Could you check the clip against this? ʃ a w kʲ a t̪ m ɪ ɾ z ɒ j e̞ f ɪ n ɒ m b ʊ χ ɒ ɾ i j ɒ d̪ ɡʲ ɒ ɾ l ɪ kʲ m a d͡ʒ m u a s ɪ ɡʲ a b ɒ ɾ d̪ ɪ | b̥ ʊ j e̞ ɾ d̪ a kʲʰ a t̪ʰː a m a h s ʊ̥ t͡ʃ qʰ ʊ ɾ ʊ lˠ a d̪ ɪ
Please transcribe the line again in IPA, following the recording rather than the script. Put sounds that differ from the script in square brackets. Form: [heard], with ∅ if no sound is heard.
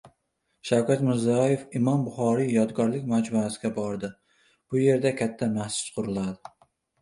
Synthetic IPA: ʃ a w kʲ a t̪ m ɪ ɾ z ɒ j e̞ f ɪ [m] ɒ m b ʊ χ ɒ ɾ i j ɒ d̪ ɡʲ ɒ ɾ l ɪ kʲ m a d͡ʒ m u a s ɪ ɡʲ a b ɒ ɾ d̪ ɪ | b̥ ʊ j e̞ ɾ d̪ a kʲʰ a t̪ʰː a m a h s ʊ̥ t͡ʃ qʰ ʊ ɾ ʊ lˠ a d̪ ɪ